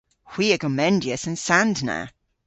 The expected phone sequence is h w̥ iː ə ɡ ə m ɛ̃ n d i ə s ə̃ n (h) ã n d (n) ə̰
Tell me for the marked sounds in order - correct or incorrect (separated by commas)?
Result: incorrect, correct